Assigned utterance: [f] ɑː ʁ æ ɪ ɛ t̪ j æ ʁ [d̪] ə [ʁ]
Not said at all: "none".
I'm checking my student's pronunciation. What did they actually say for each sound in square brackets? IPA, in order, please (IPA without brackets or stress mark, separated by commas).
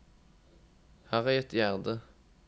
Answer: h, d̪, none